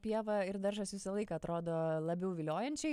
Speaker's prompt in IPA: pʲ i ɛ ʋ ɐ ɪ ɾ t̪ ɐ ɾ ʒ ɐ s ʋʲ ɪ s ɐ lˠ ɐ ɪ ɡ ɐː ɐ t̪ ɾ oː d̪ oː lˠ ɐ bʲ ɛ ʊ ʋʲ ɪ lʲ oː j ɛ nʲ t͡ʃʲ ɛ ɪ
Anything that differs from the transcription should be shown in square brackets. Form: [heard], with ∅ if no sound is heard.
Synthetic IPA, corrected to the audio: pʲ i ɛ ʋ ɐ ɪ ɾ [d̪] ɐ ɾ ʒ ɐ s ʋʲ ɪ s ɐ lˠ ɐ ɪ [k] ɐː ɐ t̪ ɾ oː d̪ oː lˠ ɐ bʲ ɛ ʊ ʋʲ ɪ lʲ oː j ɛ nʲ t͡ʃʲ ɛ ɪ